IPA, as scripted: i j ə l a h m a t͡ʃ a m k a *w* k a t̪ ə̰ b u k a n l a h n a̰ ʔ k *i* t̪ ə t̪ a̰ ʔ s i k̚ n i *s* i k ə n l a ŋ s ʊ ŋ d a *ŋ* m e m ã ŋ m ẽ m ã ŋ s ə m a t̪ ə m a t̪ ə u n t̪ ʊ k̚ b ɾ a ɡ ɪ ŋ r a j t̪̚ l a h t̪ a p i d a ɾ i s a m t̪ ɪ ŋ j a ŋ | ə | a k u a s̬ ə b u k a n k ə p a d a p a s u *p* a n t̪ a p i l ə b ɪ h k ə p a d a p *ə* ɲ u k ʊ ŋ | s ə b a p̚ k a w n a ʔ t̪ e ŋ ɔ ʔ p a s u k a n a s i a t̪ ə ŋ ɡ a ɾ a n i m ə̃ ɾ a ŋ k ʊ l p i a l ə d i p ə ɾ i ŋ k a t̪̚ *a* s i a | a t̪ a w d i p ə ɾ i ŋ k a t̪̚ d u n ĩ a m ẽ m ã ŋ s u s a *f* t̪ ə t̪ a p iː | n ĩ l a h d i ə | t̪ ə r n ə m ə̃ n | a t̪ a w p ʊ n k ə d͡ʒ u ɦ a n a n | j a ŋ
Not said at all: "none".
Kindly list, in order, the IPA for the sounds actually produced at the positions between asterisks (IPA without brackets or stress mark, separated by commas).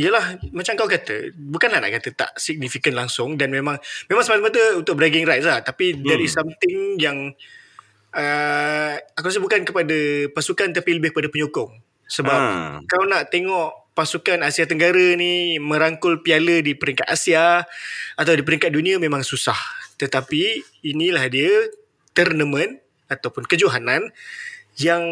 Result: w, a, f, n, k, ə, a, h